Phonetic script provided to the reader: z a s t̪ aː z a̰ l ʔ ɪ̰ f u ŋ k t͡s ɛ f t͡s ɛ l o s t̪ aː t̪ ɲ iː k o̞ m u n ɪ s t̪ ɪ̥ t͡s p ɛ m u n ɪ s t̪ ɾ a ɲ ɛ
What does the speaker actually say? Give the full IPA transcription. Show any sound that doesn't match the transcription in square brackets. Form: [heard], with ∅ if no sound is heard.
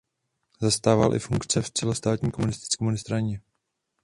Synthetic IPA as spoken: z a s t̪ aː [v] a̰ l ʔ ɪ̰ f u ŋ k t͡s ɛ f t͡s ɛ l o s t̪ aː t̪ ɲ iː k o̞ m u n ɪ s t̪ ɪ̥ t͡s [k] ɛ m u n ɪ s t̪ ɾ a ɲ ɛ